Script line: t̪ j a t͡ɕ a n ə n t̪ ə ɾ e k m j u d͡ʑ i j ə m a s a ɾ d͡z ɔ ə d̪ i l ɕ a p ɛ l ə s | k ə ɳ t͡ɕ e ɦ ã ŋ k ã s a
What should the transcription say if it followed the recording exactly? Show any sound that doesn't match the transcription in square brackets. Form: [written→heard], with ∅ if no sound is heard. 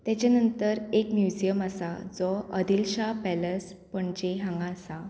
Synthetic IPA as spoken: t̪ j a t͡ɕ a n ə n t̪ ə ɾ e k m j u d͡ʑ i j ə m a s a [ɾ→∅] d͡z ɔ ə d̪ i l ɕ a p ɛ l ə s | [k→p] ə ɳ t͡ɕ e ɦ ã ŋ [k→ɡ] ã s a